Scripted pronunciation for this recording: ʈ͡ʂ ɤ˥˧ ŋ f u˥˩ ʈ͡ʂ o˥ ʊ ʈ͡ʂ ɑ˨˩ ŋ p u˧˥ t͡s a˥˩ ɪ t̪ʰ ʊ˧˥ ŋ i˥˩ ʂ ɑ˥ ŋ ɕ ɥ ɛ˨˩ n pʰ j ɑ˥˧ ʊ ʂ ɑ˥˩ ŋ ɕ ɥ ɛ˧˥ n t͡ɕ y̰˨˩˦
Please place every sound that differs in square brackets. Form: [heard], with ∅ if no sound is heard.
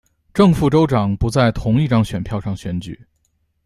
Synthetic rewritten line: ʈ͡ʂ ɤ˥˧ ŋ f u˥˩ ʈ͡ʂ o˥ ʊ ʈ͡ʂ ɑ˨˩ ŋ p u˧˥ t͡s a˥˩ ɪ t̪ʰ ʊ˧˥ ŋ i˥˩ [ʈ͡ʂ] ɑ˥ ŋ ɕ ɥ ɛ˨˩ n pʰ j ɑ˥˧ ʊ ʂ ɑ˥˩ ŋ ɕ ɥ ɛ˧˥ n t͡ɕ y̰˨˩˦